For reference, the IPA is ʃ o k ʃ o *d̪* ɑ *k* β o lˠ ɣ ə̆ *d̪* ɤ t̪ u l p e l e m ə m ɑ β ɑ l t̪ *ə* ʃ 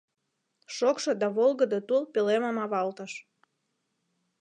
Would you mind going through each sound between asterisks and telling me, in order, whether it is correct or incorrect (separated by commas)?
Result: correct, incorrect, correct, correct